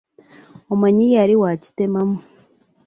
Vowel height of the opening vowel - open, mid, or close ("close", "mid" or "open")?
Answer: mid